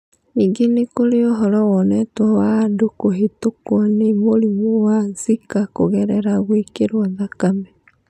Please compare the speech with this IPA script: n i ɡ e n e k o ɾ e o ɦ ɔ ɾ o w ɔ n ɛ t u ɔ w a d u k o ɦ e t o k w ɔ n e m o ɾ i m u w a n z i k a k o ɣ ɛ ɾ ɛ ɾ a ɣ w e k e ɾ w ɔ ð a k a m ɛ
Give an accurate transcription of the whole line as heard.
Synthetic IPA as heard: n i ɡ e n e k o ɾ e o ɦ ɔ ɾ ɔ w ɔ n ɛ t w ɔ w a d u k o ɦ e t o k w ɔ n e m o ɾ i m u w a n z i k a k o ɣ ɛ ɾ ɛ ɾ a ɣ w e k e ɾ w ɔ ð a k a m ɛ